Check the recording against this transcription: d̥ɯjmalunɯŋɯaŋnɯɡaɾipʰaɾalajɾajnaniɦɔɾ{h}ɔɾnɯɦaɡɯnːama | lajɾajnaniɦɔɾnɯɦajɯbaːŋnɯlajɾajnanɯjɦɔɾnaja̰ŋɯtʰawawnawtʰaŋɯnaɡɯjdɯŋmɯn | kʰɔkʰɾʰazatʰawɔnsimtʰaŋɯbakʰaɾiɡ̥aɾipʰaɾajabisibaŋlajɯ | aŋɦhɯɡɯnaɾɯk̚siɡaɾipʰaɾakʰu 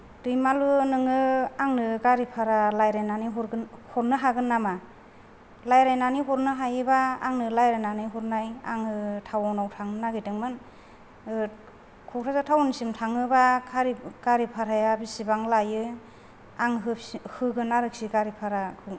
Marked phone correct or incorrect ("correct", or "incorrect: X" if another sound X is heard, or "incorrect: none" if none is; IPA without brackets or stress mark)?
correct